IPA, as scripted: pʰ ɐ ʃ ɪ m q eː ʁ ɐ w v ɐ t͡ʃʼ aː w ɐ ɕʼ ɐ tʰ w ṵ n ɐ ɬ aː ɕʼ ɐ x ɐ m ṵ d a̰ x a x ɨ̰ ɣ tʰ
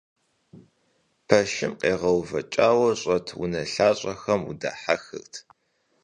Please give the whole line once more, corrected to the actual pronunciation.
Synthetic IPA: pʰ ɐ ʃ ɪ m q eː ʁ ɐ w v ɐ t͡ʃʼ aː w ɐ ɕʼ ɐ tʰ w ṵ n ɐ ɬ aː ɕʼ ɐ x ɐ m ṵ d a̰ ħ a x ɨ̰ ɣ tʰ